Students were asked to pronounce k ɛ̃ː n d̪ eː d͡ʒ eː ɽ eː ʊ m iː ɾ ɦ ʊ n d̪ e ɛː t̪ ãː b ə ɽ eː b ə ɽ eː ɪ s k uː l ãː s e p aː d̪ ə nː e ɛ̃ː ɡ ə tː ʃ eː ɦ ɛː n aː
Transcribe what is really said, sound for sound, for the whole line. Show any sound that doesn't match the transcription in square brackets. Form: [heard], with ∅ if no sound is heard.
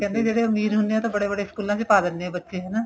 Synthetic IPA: k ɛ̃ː n d̪ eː d͡ʒ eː ɽ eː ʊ m iː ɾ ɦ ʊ n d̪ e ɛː t̪ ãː b ə ɽ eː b ə ɽ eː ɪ s k uː l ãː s e p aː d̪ ə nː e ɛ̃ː [b] ə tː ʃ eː ɦ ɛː n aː